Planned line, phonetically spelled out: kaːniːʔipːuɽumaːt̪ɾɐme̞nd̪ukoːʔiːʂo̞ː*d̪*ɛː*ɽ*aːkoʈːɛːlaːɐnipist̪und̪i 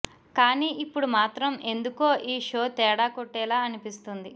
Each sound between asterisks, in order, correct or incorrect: incorrect, correct

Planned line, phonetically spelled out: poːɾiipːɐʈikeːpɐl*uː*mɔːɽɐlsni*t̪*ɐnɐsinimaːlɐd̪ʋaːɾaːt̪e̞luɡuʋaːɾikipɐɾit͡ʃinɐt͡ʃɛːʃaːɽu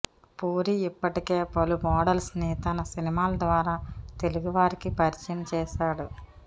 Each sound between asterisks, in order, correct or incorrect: incorrect, correct

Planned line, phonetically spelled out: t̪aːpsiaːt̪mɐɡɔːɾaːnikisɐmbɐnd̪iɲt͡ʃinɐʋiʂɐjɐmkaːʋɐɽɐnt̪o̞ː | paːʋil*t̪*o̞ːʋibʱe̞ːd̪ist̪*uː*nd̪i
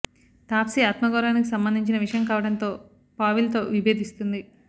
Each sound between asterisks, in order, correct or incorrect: correct, incorrect

